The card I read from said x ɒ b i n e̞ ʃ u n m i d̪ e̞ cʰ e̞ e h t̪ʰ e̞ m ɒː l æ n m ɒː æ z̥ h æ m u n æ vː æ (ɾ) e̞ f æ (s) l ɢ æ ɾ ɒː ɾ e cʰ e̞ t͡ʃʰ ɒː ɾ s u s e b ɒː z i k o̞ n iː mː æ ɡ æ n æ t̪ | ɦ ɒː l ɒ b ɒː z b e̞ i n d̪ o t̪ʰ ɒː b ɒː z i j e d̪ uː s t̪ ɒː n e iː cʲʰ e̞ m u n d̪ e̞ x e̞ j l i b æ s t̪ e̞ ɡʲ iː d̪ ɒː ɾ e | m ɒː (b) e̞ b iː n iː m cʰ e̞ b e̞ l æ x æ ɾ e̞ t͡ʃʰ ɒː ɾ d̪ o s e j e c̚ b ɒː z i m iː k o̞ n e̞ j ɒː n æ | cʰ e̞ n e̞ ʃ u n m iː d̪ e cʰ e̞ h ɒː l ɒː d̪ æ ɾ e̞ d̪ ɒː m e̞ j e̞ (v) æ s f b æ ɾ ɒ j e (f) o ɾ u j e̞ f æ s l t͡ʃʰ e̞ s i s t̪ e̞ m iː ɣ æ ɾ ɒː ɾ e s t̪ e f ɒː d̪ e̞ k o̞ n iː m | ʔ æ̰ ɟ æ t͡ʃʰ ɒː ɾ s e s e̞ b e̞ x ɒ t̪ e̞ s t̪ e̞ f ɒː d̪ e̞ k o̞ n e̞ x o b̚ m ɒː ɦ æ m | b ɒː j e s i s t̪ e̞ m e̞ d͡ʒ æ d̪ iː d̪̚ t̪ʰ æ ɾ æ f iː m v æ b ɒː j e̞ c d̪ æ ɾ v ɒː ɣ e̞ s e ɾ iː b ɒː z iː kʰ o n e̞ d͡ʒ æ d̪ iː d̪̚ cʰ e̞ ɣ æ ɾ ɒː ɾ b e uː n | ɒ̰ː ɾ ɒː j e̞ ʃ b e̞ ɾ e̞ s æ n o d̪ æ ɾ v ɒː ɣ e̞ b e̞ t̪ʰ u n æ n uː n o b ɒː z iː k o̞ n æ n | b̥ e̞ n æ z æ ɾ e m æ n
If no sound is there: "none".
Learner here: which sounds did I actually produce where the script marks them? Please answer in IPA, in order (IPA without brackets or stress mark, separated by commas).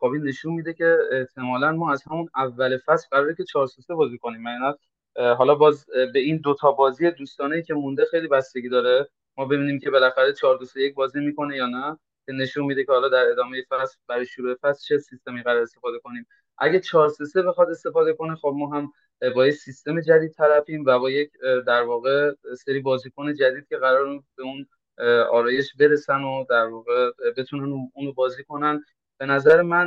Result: l, s, b, f, ʃ